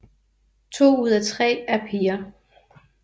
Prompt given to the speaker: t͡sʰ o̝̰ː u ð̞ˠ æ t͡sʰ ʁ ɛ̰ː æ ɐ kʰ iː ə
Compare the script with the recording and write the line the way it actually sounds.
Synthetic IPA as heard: t͡sʰ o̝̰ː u ð̞ˠ æ t͡sʰ ʁ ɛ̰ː æ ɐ pʰ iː ɐ